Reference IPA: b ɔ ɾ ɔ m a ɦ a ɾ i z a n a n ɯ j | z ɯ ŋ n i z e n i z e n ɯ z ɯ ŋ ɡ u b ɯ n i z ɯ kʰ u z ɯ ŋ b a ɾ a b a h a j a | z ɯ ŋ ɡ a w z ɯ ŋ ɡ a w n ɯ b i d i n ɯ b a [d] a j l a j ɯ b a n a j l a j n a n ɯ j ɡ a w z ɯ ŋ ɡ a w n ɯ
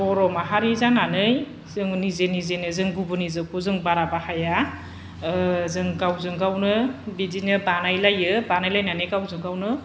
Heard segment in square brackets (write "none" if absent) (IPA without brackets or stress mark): n